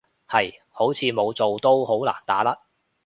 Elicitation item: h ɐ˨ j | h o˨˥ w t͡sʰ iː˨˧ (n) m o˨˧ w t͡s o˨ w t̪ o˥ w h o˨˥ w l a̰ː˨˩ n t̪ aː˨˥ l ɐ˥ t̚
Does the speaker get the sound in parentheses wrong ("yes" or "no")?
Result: yes